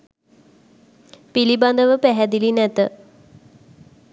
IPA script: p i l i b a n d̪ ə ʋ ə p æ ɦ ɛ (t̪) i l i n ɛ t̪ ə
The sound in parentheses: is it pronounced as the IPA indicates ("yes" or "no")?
no